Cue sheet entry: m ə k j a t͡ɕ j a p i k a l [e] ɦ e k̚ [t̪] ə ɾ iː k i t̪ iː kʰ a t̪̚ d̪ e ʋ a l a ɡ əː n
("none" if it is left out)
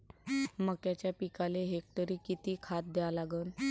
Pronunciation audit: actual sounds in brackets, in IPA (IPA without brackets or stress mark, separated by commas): e, t̪